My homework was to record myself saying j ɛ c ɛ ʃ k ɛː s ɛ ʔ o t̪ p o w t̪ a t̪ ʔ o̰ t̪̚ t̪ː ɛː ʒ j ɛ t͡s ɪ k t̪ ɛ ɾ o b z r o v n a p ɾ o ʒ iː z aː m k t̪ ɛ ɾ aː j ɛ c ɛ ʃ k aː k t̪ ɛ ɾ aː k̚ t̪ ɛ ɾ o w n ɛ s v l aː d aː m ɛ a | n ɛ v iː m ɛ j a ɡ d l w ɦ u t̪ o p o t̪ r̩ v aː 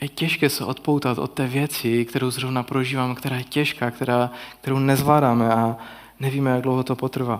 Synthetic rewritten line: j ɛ c ɛ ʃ k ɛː s ɛ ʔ o t̪ p o w t̪ a t̪ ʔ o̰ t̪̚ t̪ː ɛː v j ɛ t͡s ɪ k t̪ ɛ ɾ o w z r o v n a p ɾ o ʒ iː v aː m k t̪ ɛ ɾ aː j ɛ c ɛ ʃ k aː k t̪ ɛ ɾ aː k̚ t̪ ɛ ɾ o w n ɛ z v l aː d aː m ɛ a | n ɛ v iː m ɛ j a ɡ d l w ɦ o t̪ o p o t̪ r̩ v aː